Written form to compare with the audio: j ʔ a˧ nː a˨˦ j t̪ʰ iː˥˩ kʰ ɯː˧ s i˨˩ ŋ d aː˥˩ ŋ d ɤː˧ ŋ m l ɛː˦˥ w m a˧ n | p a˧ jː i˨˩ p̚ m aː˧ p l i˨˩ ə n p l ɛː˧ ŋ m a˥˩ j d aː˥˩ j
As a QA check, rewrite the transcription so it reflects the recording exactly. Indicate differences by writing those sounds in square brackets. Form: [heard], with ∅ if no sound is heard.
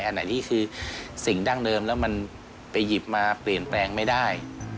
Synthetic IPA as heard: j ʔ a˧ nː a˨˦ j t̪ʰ iː˥˩ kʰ ɯː˧ s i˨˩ ŋ d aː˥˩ ŋ d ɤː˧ [∅] m l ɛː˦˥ w m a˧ n | p a˧ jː i˨˩ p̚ m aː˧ p l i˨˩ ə n p l ɛː˧ ŋ m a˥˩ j d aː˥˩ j